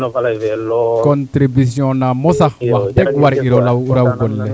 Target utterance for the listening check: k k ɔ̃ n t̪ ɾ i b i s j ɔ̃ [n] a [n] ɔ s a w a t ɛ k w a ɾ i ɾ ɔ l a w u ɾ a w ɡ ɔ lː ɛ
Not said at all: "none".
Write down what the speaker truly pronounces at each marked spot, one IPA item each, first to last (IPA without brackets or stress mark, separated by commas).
n, m